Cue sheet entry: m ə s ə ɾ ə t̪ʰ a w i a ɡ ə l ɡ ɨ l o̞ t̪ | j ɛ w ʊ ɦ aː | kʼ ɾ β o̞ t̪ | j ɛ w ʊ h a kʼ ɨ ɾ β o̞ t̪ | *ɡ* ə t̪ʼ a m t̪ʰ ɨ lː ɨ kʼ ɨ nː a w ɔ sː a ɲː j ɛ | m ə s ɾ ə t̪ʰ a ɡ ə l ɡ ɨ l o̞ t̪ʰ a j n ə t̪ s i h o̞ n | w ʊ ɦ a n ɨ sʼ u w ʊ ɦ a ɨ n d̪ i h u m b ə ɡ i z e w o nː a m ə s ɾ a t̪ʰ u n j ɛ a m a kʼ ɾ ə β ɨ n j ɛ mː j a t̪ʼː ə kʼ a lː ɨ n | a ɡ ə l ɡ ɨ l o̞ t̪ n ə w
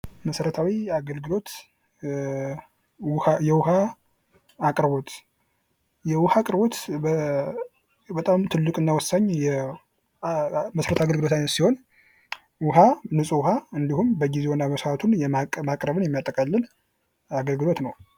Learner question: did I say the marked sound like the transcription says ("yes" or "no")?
no